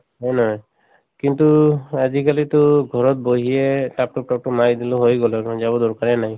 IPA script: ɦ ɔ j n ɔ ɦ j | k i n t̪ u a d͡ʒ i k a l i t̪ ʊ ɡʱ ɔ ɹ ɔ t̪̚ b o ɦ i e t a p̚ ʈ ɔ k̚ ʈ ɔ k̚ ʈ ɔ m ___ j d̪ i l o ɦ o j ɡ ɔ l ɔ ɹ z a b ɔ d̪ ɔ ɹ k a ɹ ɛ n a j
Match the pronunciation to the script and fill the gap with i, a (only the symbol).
a